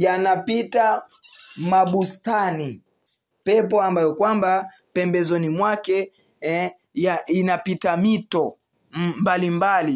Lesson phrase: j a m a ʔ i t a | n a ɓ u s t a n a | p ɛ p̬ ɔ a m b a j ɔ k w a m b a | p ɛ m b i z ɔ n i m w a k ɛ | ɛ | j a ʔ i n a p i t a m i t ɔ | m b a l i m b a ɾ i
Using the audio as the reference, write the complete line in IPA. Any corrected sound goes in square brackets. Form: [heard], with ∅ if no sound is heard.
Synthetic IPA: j a [n] a [p] i t a | [m] a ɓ u s t a n [i] | p ɛ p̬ ɔ a m b a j ɔ k w a m b a | p ɛ m b [ɛ] z ɔ n i m w a k ɛ | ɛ | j a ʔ i n a p i t a m i t ɔ | m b a l i m b a [l] i